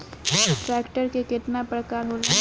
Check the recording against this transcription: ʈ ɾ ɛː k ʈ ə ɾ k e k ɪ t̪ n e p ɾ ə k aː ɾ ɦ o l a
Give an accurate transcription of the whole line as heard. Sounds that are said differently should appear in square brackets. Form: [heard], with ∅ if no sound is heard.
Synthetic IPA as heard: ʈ ɾ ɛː k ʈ ə ɾ k e k ɪ t̪ n [a] p ɾ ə k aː ɾ ɦ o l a